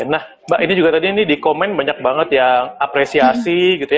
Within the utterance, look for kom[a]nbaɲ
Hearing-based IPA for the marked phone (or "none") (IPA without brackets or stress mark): ɛ